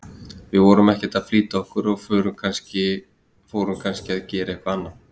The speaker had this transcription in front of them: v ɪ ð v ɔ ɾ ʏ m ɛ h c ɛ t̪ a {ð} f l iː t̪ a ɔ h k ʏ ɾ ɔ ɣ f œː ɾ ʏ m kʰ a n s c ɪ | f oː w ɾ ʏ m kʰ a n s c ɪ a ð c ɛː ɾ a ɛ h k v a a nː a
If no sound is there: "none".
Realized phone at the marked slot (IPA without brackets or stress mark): ð